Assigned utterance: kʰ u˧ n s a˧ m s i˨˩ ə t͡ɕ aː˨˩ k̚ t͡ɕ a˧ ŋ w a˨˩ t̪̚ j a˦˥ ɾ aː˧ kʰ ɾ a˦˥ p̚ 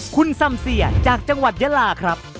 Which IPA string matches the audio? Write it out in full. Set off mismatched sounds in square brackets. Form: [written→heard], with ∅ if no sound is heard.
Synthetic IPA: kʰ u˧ n s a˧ m s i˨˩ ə t͡ɕ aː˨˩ k̚ t͡ɕ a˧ ŋ w a˨˩ t̪̚ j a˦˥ [ɾ→l] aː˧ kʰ ɾ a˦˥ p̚